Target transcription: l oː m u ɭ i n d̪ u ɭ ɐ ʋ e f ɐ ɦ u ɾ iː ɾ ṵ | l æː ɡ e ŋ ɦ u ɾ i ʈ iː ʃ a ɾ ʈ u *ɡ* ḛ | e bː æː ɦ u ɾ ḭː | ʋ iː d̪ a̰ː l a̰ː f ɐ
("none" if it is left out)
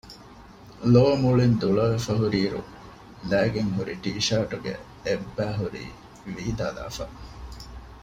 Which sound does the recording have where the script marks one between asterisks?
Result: ɡ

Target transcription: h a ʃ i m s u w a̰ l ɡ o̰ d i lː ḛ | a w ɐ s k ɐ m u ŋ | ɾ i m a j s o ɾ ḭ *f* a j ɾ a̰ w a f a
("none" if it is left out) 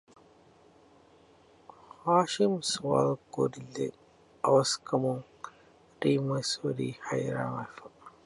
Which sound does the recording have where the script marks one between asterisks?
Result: h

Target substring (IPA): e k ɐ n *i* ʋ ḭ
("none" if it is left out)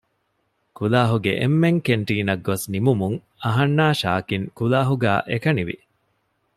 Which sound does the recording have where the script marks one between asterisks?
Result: i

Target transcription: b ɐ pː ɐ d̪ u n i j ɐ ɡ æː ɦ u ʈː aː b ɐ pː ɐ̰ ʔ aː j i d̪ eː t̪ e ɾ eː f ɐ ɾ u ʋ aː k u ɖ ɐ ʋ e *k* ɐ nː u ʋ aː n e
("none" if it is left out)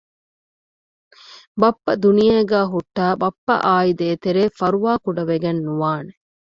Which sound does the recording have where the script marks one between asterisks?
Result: ɡ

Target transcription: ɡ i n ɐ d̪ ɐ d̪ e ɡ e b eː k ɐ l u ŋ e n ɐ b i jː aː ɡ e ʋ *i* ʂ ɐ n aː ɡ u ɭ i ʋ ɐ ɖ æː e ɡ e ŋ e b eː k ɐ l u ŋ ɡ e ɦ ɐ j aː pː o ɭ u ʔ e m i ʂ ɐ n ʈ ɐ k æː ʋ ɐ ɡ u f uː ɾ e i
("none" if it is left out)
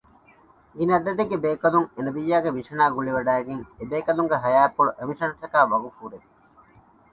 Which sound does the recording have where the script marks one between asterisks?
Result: i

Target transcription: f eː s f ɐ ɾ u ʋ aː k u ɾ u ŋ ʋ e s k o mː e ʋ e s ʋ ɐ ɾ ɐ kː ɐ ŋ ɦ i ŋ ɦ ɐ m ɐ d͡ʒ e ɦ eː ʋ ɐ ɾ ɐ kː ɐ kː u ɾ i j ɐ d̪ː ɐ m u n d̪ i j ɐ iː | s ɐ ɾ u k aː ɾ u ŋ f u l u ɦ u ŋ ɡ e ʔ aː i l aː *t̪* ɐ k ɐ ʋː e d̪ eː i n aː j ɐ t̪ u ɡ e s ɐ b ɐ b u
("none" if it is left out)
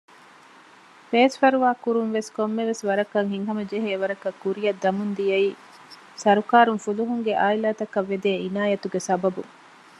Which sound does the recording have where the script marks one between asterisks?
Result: t̪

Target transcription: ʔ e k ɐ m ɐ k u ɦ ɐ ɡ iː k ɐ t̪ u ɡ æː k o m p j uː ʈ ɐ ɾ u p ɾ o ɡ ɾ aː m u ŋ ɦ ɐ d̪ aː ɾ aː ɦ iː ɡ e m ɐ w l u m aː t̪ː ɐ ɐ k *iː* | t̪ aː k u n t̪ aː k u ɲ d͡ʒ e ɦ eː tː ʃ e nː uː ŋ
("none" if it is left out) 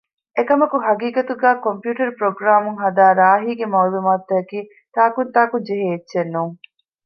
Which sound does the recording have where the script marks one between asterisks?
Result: iː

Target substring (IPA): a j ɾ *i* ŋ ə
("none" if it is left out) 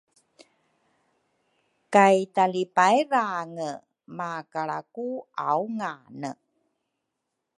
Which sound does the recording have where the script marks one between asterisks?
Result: a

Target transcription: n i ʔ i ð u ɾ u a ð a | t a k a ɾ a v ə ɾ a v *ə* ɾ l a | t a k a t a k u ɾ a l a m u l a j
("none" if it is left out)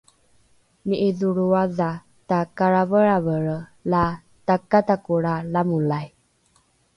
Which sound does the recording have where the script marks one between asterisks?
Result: ə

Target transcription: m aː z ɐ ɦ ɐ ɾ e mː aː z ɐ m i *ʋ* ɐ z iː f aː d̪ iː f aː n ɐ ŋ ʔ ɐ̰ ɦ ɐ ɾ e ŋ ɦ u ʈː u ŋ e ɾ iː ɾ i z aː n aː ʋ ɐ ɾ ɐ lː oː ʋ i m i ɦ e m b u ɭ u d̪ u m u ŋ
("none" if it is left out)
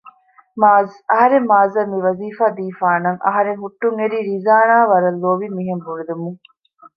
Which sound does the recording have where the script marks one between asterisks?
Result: ʋ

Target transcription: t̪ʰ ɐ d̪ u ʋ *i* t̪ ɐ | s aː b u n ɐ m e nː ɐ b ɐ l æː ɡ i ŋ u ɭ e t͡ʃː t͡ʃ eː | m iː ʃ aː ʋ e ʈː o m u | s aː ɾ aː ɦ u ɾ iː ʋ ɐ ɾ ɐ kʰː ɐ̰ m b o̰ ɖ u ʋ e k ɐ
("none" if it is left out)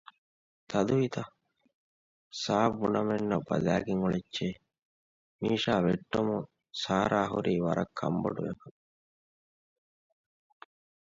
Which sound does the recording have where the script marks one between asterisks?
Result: i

